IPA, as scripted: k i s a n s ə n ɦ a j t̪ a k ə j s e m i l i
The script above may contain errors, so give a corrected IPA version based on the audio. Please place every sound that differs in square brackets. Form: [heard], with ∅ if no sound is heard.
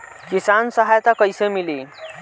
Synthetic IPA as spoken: k i s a n s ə [∅] ɦ a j t̪ a k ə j s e m i l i